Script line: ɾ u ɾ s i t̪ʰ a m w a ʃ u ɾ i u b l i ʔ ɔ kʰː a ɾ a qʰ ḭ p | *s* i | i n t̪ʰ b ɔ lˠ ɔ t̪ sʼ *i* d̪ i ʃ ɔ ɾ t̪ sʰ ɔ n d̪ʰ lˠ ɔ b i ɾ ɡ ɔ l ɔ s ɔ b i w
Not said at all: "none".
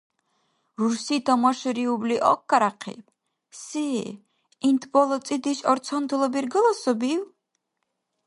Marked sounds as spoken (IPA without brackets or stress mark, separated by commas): s, i